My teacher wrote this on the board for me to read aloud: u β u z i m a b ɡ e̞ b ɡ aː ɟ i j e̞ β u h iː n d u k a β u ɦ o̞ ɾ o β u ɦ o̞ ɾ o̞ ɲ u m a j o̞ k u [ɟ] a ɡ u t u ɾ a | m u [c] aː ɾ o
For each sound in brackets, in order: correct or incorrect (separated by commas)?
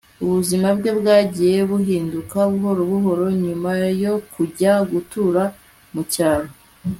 correct, correct